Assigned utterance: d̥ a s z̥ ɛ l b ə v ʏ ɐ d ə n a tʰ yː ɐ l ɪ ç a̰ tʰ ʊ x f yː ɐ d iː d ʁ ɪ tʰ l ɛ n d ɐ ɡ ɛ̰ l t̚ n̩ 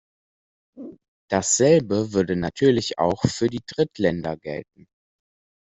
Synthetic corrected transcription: d̥ a s z̥ ɛ l b ə v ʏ ɐ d ə n a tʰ yː ɐ l ɪ ç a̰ ʊ x f yː ɐ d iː d ʁ ɪ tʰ l ɛ n d ɐ ɡ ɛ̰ l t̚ n̩